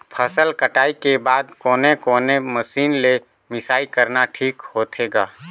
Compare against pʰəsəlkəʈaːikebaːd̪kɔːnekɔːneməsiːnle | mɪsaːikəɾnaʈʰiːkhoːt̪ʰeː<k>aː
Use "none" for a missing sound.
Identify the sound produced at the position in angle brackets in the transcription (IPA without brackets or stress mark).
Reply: ɡ